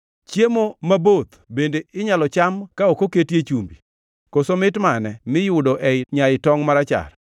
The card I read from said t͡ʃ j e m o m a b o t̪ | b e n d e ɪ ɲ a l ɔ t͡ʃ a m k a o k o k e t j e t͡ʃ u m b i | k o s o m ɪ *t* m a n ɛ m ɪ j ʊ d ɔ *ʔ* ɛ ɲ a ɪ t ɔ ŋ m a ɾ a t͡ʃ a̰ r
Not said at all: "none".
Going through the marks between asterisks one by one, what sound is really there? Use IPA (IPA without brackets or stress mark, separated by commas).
t, ʔ